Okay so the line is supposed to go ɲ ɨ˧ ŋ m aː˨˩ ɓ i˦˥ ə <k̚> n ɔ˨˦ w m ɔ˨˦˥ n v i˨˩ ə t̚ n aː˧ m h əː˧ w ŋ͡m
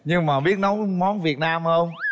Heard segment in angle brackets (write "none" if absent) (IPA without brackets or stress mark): t̚